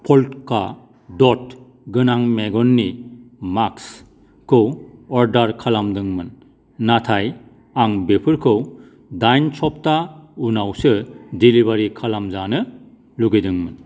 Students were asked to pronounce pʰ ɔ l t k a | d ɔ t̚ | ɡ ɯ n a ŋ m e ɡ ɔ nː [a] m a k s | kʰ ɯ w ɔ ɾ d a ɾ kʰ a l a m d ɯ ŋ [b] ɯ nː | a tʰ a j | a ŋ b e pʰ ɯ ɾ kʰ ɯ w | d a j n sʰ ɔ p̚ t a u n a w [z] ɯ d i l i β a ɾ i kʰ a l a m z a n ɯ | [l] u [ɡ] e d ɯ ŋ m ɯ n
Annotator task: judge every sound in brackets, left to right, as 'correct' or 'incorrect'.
incorrect, incorrect, incorrect, correct, correct

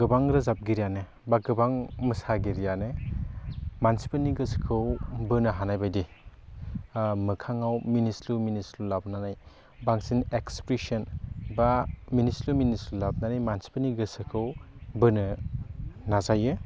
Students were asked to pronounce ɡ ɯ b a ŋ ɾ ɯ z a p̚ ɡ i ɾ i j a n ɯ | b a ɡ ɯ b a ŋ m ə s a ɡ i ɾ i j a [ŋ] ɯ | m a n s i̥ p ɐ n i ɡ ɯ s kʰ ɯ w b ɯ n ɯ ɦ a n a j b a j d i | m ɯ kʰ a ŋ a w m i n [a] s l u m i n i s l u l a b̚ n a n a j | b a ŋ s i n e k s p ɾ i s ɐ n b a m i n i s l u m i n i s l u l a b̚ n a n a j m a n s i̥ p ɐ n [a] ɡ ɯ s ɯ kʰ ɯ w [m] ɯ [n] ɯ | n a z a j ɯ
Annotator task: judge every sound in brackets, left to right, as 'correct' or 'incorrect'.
incorrect, incorrect, incorrect, incorrect, correct

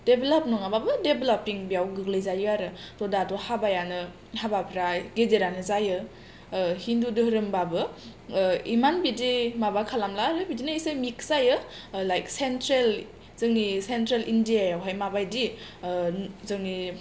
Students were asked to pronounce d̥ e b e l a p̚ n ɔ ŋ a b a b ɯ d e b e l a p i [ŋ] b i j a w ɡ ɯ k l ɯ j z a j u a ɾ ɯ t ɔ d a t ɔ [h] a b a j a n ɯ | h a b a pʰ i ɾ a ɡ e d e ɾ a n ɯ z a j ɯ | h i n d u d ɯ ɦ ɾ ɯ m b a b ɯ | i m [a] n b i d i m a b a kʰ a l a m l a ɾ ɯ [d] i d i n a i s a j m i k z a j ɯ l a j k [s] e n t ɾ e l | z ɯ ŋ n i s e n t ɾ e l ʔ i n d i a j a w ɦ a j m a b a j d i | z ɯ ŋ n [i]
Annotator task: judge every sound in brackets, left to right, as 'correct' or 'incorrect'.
correct, correct, correct, incorrect, correct, correct

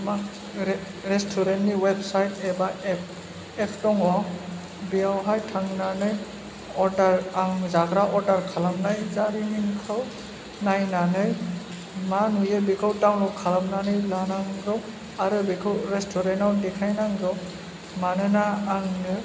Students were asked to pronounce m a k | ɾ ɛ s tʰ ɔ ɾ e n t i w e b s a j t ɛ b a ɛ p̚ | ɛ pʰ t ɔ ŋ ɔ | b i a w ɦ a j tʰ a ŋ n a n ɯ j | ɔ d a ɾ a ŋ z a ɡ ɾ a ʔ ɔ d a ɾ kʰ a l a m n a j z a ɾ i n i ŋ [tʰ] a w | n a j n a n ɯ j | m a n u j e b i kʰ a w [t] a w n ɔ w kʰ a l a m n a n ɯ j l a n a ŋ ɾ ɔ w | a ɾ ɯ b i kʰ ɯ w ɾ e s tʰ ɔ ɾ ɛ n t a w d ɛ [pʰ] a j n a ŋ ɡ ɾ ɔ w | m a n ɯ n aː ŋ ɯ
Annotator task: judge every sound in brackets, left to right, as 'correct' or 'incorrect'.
incorrect, correct, incorrect

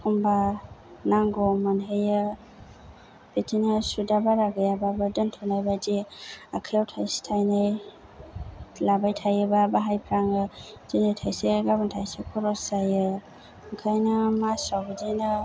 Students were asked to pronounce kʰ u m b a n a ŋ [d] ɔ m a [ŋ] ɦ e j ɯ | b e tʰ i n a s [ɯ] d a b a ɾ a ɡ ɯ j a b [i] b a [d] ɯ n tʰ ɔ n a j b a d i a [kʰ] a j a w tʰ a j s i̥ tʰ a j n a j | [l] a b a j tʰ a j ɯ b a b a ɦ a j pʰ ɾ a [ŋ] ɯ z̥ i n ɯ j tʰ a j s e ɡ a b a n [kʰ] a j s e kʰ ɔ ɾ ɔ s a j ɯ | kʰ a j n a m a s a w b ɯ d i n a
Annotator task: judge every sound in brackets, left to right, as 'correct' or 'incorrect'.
incorrect, incorrect, incorrect, incorrect, correct, correct, correct, correct, incorrect

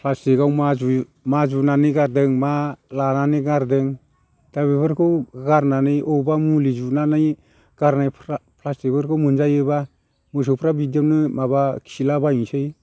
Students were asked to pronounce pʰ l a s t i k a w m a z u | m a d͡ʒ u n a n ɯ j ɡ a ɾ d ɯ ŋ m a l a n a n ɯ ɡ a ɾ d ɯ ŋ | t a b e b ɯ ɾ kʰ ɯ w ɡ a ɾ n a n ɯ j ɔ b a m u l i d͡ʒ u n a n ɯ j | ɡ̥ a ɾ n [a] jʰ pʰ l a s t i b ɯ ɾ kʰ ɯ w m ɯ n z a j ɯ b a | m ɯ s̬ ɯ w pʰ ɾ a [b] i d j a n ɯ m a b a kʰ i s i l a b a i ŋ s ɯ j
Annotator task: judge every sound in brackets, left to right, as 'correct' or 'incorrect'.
correct, correct

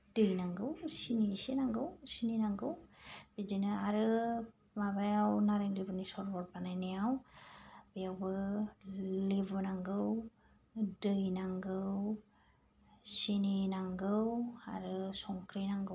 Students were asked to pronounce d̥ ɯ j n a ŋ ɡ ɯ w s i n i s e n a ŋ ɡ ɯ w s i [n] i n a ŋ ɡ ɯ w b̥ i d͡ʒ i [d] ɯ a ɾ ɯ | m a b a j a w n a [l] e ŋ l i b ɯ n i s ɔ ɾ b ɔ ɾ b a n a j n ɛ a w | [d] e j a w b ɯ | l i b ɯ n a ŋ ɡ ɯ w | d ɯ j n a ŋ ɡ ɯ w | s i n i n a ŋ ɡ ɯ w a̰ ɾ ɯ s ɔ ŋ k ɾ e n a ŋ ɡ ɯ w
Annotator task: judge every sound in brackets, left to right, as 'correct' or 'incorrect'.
correct, incorrect, incorrect, incorrect

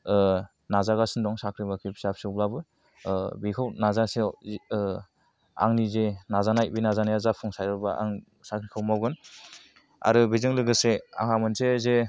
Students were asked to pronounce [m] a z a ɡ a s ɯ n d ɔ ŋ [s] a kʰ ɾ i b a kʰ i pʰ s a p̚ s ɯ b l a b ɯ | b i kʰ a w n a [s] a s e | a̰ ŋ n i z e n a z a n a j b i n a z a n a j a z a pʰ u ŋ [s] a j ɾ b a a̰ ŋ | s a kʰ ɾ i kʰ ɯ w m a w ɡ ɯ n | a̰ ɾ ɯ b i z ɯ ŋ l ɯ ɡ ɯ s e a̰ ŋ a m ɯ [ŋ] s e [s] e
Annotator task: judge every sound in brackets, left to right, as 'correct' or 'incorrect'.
incorrect, correct, incorrect, correct, incorrect, incorrect

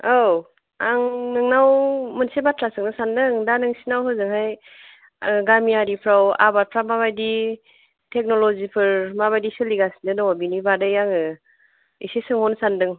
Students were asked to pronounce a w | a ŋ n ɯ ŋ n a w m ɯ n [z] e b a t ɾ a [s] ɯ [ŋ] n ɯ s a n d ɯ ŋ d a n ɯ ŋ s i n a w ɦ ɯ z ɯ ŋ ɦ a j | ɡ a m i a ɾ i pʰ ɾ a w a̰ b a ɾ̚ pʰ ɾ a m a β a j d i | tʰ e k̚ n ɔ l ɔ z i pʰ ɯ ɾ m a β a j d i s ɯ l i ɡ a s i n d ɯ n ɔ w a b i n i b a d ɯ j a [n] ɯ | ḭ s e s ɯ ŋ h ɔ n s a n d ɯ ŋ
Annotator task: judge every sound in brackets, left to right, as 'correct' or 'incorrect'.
incorrect, correct, correct, incorrect

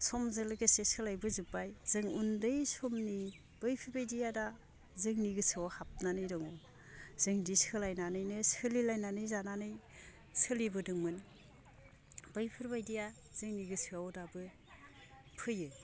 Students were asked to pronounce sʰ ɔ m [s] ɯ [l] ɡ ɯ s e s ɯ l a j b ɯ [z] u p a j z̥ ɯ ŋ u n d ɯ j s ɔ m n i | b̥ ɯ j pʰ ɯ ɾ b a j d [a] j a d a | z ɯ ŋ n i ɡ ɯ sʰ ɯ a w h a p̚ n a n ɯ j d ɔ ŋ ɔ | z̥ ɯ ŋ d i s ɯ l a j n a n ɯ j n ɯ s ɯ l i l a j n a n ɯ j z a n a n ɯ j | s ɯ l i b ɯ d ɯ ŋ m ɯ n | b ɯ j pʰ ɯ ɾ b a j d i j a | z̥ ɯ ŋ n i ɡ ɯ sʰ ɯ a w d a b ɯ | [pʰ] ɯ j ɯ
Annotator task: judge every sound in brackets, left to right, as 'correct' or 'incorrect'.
incorrect, correct, correct, incorrect, correct

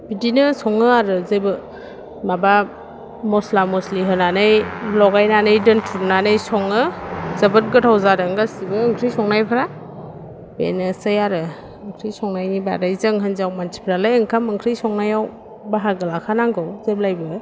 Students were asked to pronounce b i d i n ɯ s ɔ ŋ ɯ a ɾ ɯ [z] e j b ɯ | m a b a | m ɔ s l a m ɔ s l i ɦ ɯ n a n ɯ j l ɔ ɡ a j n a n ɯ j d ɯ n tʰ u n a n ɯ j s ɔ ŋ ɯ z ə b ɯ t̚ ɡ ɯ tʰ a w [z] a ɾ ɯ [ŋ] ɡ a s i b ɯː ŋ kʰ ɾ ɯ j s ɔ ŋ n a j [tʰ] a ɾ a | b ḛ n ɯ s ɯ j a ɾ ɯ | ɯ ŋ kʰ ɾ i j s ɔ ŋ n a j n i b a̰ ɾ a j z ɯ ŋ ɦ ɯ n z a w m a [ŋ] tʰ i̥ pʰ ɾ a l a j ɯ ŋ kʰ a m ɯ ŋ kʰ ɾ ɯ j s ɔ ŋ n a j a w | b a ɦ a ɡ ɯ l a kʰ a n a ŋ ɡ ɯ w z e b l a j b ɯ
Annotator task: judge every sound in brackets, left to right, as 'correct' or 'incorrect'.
correct, correct, correct, incorrect, incorrect

